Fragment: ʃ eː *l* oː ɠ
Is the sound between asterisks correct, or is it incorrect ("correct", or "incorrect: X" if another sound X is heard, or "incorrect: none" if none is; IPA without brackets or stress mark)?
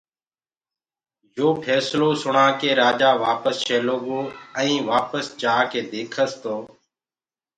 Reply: correct